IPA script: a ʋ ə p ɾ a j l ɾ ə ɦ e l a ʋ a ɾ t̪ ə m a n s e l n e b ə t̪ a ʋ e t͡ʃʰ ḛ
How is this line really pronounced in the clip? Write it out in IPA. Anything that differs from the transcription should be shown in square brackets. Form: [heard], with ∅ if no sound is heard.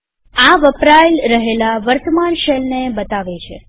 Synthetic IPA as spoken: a ʋ ə p ɾ a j l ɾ ə ɦ e l a ʋ [ə] ɾ t̪ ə m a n [ʃ] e l n e b ə t̪ a ʋ e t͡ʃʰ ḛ